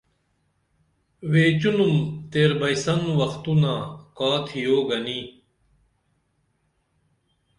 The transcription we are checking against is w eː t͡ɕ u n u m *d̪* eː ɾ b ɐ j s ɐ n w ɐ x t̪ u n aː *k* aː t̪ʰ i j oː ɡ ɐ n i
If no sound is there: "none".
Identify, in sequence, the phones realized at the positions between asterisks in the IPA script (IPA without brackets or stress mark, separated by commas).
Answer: t̪, k